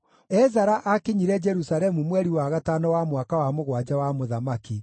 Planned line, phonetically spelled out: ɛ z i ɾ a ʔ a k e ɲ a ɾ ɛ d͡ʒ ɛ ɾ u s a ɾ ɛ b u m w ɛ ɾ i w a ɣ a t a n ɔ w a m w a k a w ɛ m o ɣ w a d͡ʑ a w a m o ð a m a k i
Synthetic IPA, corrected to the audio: ɛ z a ɾ a ʔ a k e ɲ i ɾ ɛ d͡ʒ ɛ ɾ u s a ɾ ɛ m u m w ɛ ɾ i w a ɣ a t a n ɔ w a m w a k a w a m o ɣ w a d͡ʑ a w a m o ð a m a k i